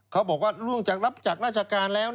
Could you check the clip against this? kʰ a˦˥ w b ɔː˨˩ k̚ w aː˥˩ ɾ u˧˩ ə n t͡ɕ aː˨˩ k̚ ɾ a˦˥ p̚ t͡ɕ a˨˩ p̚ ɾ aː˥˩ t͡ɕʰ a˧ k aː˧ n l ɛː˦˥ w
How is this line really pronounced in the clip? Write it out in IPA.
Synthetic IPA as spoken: kʰ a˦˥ w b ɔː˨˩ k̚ w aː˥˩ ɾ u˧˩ ə ŋ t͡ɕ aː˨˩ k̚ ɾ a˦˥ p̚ t͡ɕ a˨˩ k̚ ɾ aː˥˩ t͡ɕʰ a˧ k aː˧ n l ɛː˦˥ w